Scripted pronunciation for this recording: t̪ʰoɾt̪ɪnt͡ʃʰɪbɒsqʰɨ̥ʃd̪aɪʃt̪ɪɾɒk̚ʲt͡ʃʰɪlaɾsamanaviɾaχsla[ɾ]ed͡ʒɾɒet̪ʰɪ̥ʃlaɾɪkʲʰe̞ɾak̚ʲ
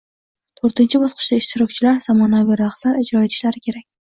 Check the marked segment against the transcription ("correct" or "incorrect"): correct